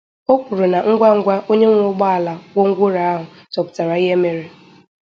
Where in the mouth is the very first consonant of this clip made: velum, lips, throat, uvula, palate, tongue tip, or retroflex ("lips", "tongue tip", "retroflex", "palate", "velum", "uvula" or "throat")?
velum